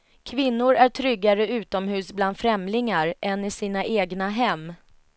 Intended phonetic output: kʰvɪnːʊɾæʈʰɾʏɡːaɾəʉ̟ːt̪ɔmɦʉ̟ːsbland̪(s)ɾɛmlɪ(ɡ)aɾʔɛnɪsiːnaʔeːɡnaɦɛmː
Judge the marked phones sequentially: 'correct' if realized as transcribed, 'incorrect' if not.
incorrect: f, incorrect: ŋ

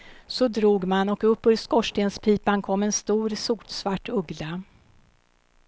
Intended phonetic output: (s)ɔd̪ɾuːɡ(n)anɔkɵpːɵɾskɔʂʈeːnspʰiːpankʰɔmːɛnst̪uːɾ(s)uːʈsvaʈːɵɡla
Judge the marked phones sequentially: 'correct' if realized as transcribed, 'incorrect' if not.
correct, incorrect: m, correct

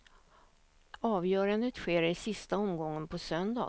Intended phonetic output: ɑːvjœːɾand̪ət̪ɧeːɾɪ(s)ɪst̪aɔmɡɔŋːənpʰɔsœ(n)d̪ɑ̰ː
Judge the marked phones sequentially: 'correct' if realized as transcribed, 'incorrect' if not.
correct, correct

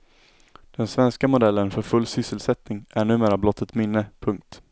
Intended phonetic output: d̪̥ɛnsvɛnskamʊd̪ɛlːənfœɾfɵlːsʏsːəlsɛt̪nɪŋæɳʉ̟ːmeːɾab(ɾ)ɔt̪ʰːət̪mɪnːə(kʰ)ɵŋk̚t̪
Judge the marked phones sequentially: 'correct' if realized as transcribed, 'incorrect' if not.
incorrect: l, incorrect: pʰ

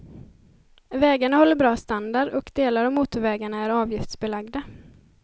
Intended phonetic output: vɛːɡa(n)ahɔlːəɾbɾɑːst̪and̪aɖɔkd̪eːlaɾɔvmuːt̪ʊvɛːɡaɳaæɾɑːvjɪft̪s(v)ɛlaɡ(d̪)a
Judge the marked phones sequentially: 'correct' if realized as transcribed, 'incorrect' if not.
incorrect: ɳ, incorrect: b, correct

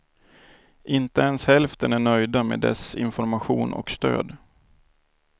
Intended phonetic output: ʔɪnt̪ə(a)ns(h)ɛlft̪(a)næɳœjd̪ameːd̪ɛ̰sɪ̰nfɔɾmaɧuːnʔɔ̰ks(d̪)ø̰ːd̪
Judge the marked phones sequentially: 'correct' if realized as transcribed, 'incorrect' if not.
incorrect: ɛ, correct, incorrect: ə, incorrect: t̪

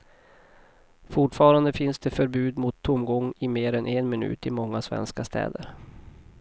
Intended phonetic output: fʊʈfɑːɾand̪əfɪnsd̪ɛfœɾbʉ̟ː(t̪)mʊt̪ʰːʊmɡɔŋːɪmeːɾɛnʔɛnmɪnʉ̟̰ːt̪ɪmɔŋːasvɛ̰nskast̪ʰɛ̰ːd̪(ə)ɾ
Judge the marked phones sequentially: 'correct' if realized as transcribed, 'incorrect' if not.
incorrect: d̪, correct

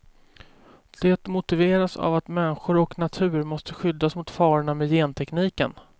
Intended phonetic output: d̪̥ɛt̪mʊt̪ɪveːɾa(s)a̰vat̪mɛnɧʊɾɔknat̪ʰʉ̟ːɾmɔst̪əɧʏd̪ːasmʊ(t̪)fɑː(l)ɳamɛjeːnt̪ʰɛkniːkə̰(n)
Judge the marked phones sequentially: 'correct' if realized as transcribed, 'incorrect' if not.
correct, correct, incorrect: ɾ, correct

